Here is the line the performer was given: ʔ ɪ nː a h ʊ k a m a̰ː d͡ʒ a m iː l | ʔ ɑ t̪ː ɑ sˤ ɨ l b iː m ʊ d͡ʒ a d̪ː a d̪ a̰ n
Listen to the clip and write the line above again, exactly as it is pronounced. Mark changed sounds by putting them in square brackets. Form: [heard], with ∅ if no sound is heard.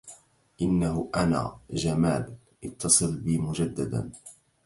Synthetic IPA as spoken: ʔ ɪ nː a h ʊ [ʔ] a [n] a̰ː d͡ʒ a m [aː] l | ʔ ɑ t̪ː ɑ sˤ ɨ l b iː m ʊ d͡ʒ a d̪ː a d̪ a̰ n